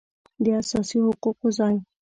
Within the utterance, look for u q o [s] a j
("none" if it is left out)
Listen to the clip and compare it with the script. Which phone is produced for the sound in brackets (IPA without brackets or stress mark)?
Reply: z